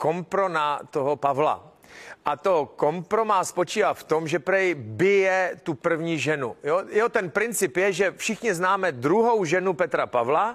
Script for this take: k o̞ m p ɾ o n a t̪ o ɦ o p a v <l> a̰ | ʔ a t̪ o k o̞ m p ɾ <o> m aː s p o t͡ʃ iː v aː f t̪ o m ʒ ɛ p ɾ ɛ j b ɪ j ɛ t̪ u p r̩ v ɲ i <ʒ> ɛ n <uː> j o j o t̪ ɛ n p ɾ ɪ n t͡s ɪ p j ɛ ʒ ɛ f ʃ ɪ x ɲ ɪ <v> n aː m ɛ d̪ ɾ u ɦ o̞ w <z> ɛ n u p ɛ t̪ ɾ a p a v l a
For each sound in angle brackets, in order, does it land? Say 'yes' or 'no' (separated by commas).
yes, yes, yes, no, no, no